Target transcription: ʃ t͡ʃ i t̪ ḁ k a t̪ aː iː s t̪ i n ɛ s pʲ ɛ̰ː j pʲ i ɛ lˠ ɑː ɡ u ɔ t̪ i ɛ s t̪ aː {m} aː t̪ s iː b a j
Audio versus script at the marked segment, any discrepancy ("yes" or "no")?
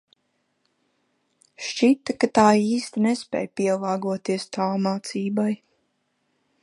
no